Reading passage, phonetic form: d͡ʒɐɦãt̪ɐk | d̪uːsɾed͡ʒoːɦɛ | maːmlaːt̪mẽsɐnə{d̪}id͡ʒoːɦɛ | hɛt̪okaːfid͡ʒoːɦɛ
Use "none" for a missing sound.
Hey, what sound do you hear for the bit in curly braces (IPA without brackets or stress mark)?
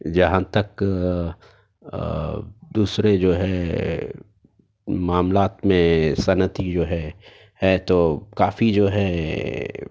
t̪